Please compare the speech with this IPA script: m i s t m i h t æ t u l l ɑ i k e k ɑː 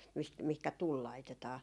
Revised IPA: m i s t m i h k æ t u l l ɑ i t e t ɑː